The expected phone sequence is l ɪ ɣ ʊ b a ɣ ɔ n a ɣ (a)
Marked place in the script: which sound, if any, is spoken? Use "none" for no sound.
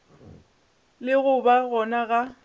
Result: a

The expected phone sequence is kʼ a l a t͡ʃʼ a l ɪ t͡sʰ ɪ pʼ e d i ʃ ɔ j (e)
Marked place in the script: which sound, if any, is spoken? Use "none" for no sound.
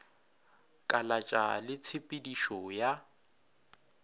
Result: a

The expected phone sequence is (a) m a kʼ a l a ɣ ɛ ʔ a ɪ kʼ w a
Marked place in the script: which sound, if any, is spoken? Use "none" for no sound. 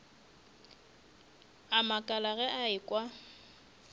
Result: a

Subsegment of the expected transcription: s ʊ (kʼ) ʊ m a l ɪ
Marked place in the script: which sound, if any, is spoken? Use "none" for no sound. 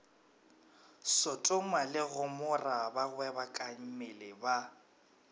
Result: tʼ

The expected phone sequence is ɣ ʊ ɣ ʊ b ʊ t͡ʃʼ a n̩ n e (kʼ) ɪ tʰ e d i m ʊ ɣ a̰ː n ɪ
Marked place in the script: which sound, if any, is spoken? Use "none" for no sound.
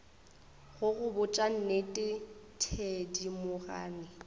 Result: tʼ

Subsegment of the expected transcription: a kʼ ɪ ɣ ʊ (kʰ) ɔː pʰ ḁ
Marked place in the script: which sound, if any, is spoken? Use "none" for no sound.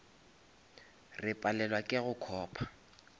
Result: kʰ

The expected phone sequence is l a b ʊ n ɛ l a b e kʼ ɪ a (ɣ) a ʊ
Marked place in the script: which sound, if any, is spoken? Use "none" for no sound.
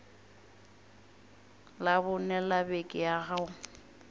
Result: ɣ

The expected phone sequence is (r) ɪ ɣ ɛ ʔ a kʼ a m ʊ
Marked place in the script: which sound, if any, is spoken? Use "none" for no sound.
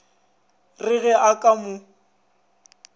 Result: r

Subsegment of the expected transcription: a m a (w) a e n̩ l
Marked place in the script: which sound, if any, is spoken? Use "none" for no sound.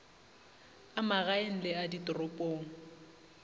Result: ɣ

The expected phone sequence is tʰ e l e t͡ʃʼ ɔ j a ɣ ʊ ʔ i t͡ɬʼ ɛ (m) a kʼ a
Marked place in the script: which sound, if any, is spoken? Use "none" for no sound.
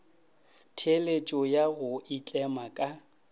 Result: m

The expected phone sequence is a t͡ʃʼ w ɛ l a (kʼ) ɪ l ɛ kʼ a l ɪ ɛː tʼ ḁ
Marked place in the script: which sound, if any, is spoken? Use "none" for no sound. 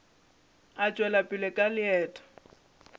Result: pʼ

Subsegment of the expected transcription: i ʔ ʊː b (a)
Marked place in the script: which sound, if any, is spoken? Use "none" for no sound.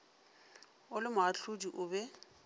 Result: ɛ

